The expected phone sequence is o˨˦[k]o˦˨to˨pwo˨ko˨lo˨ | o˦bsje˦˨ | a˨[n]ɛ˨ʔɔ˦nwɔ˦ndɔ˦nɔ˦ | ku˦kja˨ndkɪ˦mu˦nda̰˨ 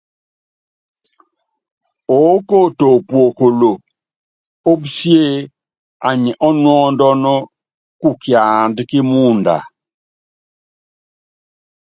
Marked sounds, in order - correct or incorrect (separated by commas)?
correct, incorrect